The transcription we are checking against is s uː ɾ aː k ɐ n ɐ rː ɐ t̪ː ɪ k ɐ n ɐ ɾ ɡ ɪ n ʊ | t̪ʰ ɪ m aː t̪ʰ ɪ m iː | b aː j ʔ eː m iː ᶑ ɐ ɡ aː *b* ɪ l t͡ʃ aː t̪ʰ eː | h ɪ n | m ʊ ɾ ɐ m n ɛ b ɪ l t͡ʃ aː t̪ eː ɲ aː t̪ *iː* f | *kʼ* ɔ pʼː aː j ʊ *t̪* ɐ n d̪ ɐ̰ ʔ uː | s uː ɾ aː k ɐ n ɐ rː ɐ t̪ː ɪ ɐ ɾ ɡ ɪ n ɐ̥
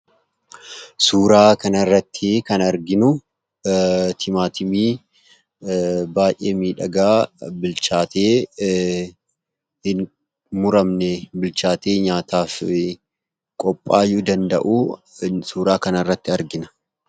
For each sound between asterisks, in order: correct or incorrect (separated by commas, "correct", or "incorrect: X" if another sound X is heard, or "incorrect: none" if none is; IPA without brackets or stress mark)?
correct, incorrect: aː, correct, incorrect: d̪